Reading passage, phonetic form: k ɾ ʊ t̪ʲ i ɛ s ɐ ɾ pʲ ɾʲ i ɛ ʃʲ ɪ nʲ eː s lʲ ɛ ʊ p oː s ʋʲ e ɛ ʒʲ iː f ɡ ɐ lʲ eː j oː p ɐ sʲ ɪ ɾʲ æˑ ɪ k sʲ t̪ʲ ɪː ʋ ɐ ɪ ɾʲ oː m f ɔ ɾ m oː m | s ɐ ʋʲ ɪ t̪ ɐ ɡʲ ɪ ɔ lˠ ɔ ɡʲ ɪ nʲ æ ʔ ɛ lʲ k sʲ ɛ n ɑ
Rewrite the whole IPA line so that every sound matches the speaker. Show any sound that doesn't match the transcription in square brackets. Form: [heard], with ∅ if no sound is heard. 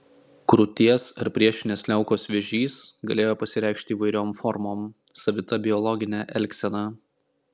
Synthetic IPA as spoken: k ɾ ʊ t̪ʲ i ɛ s ɐ ɾ pʲ ɾʲ i ɛ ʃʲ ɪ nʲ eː s lʲ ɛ ʊ [k] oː s ʋʲ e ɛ ʒʲ iː [s] ɡ ɐ lʲ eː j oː p ɐ sʲ ɪ ɾʲ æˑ ɪ k [ʃʲ] t̪ʲ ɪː ʋ ɐ ɪ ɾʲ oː m f ɔ ɾ m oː m | s ɐ ʋʲ ɪ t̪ ɐ [bʲ] ɪ ɔ lˠ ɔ ɡʲ ɪ nʲ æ ʔ ɛ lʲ k sʲ ɛ n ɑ